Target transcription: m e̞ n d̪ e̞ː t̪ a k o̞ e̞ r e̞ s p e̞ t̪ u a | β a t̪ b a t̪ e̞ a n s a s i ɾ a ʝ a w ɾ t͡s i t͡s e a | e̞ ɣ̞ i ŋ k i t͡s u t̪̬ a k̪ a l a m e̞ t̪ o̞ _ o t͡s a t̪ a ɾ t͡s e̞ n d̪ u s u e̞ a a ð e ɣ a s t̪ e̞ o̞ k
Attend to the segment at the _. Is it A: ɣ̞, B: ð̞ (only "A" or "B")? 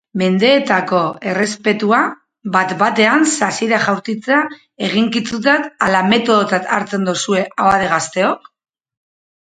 B